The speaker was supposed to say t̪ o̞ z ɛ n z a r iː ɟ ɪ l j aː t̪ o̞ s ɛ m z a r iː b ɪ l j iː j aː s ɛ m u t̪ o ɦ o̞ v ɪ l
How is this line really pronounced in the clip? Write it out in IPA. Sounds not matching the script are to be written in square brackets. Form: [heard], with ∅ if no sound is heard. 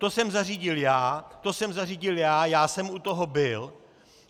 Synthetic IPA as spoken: t̪ o̞ [s] ɛ [m] z a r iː ɟ ɪ l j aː t̪ o̞ s ɛ m z a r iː [ɟ] ɪ l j [aː] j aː s ɛ m u t̪ o ɦ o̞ [b] ɪ l